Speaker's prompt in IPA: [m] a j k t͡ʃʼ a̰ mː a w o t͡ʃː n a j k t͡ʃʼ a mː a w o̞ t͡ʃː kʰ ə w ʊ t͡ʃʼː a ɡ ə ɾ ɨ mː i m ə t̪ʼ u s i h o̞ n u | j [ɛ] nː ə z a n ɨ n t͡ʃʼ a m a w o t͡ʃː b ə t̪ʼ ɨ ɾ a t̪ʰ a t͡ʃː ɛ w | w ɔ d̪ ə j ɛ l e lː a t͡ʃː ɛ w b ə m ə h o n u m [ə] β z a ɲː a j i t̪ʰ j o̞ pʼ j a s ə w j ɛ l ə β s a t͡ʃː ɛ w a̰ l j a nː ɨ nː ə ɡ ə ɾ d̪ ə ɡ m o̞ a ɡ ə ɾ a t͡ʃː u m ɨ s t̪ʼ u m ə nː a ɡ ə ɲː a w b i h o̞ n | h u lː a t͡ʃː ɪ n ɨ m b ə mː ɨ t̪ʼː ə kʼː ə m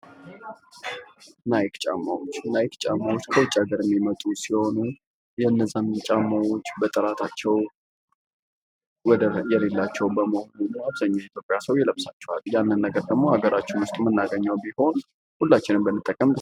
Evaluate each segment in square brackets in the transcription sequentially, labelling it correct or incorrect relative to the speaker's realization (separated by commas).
incorrect, correct, incorrect